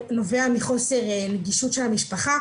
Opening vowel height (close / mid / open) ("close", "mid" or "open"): mid